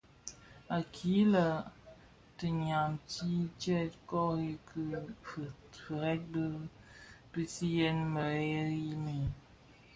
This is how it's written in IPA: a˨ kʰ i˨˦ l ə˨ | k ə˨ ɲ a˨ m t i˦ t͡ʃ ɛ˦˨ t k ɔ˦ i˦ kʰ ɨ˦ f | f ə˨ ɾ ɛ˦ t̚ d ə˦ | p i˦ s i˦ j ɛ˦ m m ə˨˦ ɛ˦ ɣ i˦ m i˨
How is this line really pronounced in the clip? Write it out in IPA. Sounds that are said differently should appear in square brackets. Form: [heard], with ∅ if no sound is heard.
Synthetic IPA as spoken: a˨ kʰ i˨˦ l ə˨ | [t] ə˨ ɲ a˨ m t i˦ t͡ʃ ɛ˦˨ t k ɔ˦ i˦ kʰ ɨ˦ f | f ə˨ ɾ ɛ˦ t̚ [b] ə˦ | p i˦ s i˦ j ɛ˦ [n] m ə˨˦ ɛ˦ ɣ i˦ m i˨

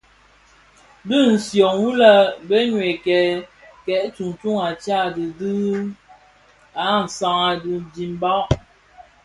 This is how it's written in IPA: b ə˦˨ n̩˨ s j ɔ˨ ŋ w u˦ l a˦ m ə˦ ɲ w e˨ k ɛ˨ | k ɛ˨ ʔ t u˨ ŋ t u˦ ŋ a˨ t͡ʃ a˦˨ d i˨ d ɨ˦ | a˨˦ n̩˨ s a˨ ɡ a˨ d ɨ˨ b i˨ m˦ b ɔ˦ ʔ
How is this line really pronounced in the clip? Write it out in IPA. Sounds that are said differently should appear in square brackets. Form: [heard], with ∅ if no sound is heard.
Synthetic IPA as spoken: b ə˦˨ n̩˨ s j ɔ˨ ŋ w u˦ l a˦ [b] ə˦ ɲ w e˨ k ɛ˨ | k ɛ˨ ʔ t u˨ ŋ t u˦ ŋ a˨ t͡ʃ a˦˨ d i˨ d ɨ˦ | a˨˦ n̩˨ s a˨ [ŋ] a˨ d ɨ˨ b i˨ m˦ b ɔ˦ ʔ

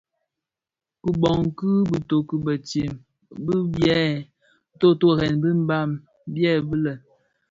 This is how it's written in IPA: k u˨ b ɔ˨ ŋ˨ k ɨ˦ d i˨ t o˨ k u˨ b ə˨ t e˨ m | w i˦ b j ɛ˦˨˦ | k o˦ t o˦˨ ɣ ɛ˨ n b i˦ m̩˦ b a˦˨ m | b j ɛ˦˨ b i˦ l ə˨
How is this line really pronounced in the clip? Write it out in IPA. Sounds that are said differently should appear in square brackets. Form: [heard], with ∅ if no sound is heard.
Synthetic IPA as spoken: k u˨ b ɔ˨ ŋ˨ k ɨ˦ [b] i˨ t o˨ k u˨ b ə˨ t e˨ m | [b] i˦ b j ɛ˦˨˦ | [t] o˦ t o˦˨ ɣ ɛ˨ n b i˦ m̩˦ b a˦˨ m | b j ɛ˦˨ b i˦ l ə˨

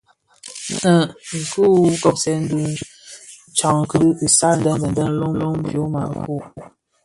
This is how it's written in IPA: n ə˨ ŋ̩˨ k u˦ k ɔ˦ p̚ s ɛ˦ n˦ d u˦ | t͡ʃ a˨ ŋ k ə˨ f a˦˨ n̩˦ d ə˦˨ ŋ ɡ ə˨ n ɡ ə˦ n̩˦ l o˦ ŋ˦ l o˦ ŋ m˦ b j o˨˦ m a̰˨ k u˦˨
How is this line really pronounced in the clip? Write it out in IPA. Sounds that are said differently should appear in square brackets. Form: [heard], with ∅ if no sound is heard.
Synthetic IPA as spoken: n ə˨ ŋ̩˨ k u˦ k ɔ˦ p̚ s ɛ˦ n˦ d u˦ | t͡ʃ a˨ ŋ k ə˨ [s] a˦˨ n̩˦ d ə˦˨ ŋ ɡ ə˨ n [d] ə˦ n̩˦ l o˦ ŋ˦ l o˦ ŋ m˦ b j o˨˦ m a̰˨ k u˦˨

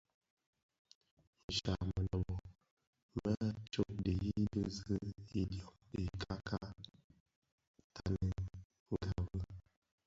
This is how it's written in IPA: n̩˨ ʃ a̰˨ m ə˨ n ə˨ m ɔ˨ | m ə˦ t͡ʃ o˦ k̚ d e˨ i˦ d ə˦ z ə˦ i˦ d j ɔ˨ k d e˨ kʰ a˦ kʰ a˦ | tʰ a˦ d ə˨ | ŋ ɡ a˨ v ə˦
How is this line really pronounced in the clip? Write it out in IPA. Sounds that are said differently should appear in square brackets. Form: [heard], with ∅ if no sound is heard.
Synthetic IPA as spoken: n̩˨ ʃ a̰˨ m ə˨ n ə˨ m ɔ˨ | m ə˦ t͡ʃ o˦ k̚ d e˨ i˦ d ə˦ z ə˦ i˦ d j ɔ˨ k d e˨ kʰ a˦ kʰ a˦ | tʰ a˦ [n] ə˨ | ŋ ɡ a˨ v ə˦

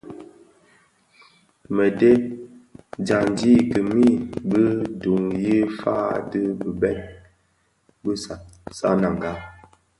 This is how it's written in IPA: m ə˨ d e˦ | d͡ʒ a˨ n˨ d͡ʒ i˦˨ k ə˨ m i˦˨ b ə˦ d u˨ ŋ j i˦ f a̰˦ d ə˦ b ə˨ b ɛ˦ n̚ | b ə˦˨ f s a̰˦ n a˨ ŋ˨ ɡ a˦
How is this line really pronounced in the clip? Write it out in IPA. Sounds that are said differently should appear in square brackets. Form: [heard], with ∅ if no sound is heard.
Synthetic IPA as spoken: m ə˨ d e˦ | d͡ʒ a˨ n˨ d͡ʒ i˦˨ k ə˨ m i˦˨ b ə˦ d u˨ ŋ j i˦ f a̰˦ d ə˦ b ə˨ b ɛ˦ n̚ | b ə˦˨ [∅] s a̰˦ n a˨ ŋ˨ ɡ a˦

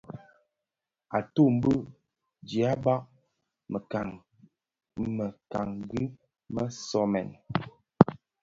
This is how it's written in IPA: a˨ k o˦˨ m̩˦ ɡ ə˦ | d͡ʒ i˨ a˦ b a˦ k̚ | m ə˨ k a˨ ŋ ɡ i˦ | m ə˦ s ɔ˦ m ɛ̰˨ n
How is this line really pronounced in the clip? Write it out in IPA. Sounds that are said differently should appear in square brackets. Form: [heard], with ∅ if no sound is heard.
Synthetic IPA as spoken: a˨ [t] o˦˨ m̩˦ [b] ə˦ | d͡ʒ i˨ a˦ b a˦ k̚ | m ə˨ k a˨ ŋ ɡ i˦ | m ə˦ s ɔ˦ m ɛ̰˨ n

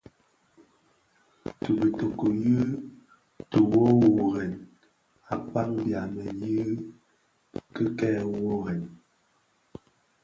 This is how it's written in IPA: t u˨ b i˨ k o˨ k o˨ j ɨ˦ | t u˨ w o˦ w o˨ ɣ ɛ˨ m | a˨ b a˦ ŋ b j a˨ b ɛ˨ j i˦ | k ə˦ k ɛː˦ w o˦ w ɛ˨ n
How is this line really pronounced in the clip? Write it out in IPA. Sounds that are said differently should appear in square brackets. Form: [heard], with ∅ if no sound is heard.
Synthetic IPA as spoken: t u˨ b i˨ [t] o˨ k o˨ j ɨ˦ | t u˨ w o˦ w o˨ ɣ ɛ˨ [n] | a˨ [p] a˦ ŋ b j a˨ [m] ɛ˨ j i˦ | k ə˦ k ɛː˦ w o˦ [ɣ] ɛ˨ n

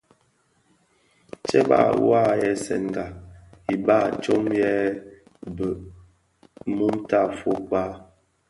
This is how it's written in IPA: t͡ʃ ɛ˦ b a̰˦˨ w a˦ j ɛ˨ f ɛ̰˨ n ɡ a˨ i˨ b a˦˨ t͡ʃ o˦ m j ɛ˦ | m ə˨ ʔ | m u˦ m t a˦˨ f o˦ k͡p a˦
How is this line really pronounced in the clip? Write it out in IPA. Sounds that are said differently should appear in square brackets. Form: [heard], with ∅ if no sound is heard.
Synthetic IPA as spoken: t͡ʃ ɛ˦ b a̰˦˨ w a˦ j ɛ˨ [s] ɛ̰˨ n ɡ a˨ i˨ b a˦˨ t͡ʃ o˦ m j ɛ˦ | [b] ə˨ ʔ | m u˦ m t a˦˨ f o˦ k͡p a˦

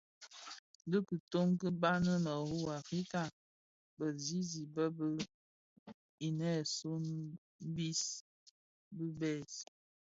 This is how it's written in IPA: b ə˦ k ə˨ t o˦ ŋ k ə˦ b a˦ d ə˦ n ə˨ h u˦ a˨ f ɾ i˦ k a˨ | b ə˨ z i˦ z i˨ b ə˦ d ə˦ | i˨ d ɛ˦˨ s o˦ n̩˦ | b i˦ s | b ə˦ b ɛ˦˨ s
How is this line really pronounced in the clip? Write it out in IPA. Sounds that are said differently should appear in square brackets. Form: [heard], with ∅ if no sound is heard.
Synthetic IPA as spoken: [d] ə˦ k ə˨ t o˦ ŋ k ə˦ b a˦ [n] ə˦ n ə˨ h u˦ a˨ f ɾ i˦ k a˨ | b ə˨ z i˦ z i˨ b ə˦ [b] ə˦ | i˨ [n] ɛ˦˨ s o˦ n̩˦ | b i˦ s | b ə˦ b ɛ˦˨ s

